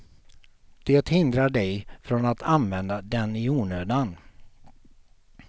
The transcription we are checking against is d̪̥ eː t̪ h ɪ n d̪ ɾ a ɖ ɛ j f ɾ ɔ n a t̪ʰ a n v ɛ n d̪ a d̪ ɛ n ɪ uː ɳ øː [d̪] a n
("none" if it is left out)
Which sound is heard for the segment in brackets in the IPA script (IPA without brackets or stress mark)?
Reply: d̪